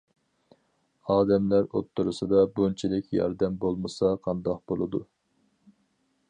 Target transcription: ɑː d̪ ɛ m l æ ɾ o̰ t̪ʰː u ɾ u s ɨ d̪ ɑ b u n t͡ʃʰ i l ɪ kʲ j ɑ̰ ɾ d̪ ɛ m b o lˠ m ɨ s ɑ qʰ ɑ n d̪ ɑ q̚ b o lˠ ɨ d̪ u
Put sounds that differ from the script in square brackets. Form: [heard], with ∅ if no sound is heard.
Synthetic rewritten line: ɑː d̪ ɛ m l æ ɾ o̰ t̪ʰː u ɾ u s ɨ d̪ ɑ b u n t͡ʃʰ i l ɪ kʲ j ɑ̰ ɾ d̪ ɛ m b o lˠ m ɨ s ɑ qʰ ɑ n d̪ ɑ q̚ b o lˠ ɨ d̪ u